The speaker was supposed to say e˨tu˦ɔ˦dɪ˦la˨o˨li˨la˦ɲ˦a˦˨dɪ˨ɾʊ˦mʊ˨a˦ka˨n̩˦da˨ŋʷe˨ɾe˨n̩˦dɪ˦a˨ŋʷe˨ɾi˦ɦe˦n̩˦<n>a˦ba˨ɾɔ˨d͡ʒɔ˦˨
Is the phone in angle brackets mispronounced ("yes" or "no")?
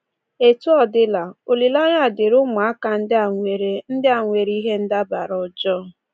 yes